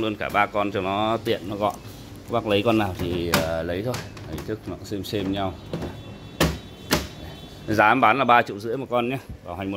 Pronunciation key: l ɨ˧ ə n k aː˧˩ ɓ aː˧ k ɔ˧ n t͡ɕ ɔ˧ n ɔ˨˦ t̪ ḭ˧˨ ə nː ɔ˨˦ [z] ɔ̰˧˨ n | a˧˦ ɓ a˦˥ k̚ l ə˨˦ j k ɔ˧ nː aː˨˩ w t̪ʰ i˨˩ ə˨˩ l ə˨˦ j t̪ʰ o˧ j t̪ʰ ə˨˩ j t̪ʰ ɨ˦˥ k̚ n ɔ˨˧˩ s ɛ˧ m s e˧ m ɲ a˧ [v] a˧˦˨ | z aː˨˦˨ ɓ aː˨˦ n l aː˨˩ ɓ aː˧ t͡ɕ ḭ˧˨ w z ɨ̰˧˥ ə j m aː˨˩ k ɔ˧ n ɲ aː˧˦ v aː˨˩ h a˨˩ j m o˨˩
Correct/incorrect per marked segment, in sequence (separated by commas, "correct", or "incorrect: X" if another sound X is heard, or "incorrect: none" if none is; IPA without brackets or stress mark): incorrect: ɣ, incorrect: w